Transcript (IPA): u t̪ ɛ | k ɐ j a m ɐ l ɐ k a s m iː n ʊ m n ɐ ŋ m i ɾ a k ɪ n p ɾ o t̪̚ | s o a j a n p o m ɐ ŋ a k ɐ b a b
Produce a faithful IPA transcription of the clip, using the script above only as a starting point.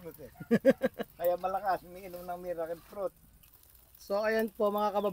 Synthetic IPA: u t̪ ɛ | k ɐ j a m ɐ l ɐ k a s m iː n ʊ m n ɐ ŋ m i ɾ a k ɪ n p ɾ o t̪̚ | s o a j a n p o m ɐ ŋ a k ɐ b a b